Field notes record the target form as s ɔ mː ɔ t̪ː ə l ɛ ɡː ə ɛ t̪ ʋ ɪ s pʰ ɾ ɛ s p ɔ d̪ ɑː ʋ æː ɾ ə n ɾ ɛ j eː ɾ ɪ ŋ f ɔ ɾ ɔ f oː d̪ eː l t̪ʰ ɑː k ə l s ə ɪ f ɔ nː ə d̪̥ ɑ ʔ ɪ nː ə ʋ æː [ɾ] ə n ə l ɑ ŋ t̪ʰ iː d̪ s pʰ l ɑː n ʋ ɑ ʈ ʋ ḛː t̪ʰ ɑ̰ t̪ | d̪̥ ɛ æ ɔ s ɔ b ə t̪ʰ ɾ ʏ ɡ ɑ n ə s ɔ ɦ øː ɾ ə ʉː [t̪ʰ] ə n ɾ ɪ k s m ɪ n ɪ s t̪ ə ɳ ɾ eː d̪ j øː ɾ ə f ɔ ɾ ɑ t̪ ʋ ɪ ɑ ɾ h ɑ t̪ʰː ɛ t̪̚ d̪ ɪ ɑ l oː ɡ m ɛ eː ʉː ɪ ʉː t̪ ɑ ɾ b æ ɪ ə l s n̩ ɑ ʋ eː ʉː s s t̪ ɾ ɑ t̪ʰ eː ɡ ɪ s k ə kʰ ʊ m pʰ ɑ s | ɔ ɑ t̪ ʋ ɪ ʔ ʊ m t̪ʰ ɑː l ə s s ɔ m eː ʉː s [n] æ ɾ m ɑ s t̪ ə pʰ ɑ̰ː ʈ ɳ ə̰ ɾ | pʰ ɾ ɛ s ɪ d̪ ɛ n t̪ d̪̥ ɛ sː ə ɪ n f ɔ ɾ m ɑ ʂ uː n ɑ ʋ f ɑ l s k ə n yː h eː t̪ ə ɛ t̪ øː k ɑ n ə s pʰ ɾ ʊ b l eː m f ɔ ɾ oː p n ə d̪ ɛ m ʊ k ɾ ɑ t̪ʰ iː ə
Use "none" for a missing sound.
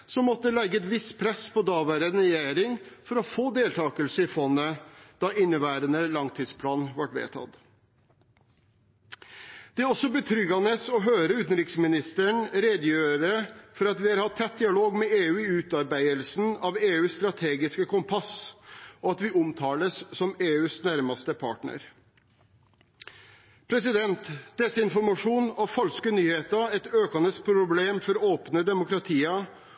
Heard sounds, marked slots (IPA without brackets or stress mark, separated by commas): ɾ, t̪, n